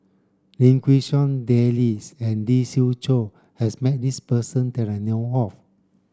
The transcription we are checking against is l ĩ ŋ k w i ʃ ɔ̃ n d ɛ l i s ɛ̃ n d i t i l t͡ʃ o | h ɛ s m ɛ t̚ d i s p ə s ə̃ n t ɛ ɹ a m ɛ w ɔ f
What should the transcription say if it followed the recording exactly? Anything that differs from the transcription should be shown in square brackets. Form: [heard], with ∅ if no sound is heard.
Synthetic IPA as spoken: l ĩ ŋ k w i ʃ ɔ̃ n d ɛ l i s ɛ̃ n d i [s] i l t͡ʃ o | h ɛ s m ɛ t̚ d i s p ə s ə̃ n t ɛ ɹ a [n] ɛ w ɔ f